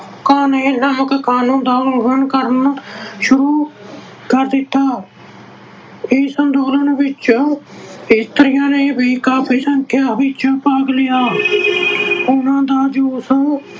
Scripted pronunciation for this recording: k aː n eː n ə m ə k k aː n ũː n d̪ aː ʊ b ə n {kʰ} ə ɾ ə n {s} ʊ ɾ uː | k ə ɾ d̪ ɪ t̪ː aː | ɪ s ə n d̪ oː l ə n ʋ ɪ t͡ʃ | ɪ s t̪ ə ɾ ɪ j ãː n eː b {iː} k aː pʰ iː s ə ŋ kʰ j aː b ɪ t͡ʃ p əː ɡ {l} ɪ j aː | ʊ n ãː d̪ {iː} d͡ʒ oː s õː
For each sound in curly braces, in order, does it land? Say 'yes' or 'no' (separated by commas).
no, no, yes, yes, no